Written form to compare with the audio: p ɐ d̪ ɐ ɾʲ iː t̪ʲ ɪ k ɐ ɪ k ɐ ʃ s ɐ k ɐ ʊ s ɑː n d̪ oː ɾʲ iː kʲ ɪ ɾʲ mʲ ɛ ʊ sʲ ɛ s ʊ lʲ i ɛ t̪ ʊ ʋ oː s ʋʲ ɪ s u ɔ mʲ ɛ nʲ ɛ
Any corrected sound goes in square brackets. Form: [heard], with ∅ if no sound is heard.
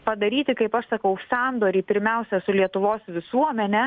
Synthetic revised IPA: p ɐ d̪ ɐ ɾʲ iː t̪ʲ ɪ k ɐ ɪ [p] ɐ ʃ s ɐ k ɐ ʊ s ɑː n d̪ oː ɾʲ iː [pʲ] ɪ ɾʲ mʲ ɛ ʊ sʲ ɛ s ʊ lʲ i ɛ t̪ ʊ ʋ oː s ʋʲ ɪ s u ɔ mʲ ɛ nʲ ɛ